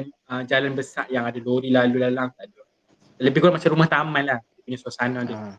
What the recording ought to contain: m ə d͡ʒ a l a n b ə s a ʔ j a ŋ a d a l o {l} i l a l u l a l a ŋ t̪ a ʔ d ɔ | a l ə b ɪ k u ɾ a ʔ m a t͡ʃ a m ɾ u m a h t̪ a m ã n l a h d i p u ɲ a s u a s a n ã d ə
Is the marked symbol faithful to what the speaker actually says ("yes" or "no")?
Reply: no